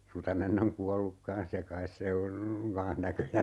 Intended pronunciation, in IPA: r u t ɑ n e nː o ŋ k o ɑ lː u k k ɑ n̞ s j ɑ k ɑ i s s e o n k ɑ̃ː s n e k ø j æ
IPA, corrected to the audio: r u t ɑ n e nː o ŋ k u ɑ lː u k k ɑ n̞ s j ɑ k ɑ i s s e o n k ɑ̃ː h n æ k ø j æ